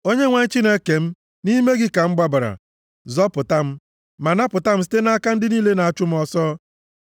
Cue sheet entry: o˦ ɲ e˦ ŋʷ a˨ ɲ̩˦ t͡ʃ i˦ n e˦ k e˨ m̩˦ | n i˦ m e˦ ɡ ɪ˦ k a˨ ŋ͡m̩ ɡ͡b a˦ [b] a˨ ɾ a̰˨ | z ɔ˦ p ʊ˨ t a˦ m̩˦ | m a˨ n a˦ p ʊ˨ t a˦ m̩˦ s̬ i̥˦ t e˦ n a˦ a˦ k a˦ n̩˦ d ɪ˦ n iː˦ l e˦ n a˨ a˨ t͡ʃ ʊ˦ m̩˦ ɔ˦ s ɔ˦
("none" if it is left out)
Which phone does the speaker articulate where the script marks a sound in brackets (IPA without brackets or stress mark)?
b